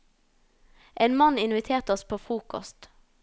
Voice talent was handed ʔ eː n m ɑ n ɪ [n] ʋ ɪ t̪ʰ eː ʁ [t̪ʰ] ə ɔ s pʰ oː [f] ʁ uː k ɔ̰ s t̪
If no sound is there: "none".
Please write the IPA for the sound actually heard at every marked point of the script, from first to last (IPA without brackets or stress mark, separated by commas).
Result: n, t̪, f